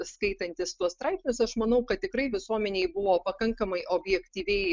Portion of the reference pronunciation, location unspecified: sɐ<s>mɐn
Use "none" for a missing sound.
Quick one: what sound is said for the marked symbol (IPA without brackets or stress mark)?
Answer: ʃ